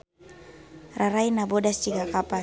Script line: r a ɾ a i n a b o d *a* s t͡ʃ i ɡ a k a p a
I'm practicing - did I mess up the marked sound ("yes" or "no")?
no